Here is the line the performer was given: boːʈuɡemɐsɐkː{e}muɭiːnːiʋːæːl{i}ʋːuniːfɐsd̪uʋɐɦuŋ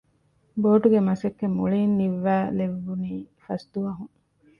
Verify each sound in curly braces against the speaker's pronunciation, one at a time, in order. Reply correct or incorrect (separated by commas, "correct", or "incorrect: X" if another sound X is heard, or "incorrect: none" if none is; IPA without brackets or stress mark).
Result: correct, incorrect: e